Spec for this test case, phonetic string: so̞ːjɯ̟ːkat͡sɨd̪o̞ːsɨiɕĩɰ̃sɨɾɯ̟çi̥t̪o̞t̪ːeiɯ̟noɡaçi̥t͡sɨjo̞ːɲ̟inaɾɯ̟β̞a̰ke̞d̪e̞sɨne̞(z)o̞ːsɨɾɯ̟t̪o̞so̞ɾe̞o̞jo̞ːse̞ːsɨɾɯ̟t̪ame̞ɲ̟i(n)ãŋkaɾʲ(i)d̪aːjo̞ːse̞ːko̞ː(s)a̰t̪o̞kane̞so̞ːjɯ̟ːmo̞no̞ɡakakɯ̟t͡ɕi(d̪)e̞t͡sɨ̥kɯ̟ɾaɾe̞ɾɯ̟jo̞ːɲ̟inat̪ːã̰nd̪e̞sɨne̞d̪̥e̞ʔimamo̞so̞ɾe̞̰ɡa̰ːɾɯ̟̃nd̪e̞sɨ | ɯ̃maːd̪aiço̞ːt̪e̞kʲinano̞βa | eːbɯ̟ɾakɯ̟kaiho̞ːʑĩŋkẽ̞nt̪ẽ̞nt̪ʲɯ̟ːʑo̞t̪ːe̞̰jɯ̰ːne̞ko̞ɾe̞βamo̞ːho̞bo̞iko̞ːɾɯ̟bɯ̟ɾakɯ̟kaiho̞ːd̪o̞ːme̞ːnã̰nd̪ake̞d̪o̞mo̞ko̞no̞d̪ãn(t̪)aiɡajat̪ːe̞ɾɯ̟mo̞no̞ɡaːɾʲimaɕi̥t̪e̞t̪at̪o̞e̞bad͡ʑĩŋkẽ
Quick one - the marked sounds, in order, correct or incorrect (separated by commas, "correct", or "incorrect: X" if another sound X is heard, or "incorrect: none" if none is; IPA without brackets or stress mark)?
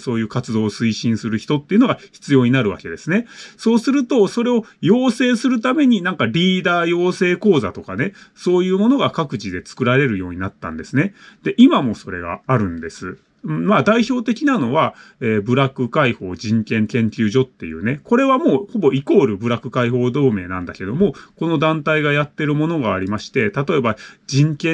incorrect: s, correct, incorrect: iː, incorrect: z, correct, correct